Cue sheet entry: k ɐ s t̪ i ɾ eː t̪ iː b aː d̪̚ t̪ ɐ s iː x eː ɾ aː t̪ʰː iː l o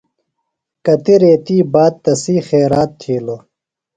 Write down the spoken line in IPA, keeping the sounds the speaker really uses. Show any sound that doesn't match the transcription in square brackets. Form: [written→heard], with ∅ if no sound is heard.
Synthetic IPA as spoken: k ɐ [s→∅] t̪ i ɾ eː t̪ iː b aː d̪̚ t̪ ɐ s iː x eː ɾ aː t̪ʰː iː l o